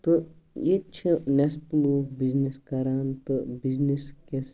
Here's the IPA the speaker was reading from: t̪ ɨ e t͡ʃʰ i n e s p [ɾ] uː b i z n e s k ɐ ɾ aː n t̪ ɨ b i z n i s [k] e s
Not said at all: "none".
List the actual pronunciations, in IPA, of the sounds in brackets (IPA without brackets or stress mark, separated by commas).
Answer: l, k